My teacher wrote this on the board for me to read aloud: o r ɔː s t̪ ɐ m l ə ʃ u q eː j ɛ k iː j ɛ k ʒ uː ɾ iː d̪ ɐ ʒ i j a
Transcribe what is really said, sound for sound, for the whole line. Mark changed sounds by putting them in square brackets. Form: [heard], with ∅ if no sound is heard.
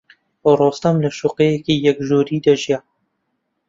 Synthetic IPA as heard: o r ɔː s t̪ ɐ m l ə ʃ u q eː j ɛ k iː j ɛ k ʒ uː ɾ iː d̪ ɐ ʒ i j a

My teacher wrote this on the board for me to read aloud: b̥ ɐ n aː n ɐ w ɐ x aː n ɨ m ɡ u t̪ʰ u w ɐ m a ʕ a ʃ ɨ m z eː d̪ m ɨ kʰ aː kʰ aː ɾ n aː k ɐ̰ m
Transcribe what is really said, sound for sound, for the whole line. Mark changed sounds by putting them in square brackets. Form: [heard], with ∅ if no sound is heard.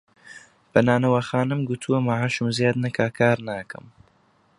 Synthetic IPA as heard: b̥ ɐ n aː n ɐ w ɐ x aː n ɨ m ɡ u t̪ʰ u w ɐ m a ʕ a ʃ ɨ m z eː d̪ [n] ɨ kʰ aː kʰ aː ɾ n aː k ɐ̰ m

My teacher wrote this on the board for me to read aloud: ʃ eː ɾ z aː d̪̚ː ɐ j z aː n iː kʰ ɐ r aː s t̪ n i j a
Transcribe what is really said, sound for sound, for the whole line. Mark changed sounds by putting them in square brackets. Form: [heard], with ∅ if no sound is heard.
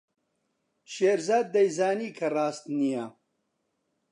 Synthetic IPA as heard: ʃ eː ɾ z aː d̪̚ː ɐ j z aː n iː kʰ ɐ r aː s t̪ n i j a

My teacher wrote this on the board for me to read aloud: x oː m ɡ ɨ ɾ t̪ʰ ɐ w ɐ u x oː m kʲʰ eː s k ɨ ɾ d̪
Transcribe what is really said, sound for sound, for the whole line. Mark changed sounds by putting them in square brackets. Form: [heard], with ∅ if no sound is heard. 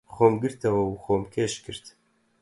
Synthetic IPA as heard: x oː m ɡ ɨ ɾ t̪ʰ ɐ w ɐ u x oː m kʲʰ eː [ʃ] k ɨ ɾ [t̪]

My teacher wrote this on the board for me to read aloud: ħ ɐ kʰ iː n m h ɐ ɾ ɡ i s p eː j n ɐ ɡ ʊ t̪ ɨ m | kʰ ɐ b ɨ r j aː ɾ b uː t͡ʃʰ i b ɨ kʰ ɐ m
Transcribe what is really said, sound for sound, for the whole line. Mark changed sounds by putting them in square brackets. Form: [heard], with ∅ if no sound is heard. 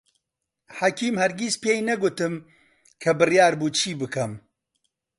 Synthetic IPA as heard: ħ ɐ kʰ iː [∅] m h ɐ ɾ ɡ i s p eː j n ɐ ɡ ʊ t̪ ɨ m | kʰ ɐ b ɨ r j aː ɾ b uː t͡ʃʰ [iː] b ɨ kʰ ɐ m

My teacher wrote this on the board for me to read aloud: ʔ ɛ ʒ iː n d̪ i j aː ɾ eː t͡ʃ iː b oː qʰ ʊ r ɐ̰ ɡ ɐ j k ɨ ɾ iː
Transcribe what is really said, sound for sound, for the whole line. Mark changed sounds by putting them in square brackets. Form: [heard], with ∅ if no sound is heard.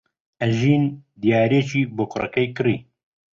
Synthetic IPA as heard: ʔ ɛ ʒ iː n d̪ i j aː ɾ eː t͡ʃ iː b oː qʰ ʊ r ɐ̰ [k] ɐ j k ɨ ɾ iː

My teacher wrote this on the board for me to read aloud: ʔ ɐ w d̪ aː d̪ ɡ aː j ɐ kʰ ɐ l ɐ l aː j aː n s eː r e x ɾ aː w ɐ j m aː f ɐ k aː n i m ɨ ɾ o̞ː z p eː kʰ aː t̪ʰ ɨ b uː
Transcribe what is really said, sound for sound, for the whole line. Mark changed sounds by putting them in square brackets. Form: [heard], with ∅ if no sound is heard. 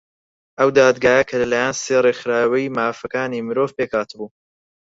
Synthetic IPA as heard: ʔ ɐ w d̪ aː d̪ ɡ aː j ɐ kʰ ɐ l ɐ l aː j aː n s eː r e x ɾ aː w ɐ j m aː f ɐ k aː n i m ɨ ɾ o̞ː [v] p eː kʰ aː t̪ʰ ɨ b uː

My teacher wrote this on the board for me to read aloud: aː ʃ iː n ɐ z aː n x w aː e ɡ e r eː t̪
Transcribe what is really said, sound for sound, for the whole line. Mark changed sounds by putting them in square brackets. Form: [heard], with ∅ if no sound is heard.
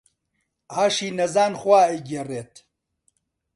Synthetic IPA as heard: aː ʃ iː n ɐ z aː n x w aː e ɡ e r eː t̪

